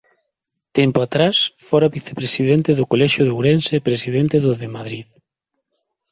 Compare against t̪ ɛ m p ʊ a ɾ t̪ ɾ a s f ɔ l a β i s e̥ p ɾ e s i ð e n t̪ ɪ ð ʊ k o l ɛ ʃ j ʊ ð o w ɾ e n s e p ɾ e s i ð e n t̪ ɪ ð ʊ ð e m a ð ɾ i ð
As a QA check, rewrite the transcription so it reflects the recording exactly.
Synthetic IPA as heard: t̪ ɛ m p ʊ a t̪ ɾ a s f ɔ ɾ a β i θ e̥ p ɾ e s i ð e n t̪ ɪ ð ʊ k o l ɛ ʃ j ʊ ð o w ɾ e n s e p ɾ e s i ð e n t̪ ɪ ð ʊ ð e m a ð ɾ i ð